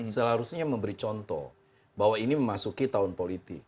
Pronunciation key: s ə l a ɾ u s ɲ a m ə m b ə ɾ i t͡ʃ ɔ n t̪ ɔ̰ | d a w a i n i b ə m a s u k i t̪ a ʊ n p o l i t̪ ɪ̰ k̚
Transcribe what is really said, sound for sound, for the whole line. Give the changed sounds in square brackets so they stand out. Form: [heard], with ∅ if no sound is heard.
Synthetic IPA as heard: s ə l a ɾ u s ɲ a m ə m b ə ɾ i t͡ʃ ɔ n t̪ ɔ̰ | [b] a w a i n i [m] ə m a s u k i t̪ a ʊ n p o l i t̪ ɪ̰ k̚